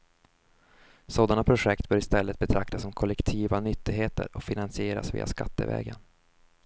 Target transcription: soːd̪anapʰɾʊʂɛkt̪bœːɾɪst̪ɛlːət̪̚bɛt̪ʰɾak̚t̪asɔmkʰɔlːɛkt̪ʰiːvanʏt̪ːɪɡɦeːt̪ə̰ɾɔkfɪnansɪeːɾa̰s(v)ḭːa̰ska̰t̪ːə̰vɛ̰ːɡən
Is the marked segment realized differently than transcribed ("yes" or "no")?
no